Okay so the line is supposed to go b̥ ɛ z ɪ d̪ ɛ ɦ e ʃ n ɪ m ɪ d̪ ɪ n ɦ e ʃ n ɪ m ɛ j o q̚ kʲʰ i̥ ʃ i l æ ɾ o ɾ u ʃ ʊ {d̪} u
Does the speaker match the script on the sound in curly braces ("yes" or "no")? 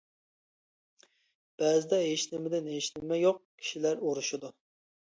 yes